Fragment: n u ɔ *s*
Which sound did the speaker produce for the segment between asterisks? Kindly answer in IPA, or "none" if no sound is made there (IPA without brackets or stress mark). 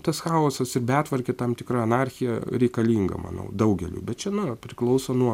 none